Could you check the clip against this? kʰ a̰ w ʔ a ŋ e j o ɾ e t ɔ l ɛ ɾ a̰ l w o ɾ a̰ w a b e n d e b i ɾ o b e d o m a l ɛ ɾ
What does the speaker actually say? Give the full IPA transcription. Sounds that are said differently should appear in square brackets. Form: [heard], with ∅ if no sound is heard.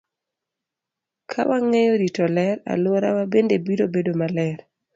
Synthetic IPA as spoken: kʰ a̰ w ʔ a ŋ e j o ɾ [i] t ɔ l ɛ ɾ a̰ l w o ɾ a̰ w a b e n d e b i ɾ o b e d o m a l ɛ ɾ